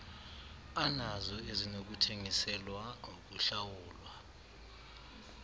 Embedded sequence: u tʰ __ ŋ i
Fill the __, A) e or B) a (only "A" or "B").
A